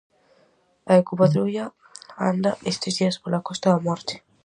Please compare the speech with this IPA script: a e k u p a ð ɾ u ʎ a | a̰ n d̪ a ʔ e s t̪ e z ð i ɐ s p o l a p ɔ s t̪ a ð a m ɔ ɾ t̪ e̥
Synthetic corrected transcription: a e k u p a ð ɾ u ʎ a | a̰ n d̪ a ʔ e s t̪ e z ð i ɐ s p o l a k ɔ s t̪ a ð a m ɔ ɾ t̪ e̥